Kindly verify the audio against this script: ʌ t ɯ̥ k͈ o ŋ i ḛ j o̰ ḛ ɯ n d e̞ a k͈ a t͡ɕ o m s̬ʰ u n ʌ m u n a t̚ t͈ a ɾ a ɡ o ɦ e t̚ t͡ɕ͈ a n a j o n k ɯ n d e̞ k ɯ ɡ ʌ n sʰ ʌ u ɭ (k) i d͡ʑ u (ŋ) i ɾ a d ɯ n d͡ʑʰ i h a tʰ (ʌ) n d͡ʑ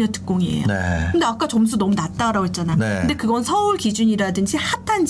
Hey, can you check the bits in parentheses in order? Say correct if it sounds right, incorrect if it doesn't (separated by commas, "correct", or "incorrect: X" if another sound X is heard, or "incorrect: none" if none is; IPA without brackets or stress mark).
correct, incorrect: ɲ, incorrect: a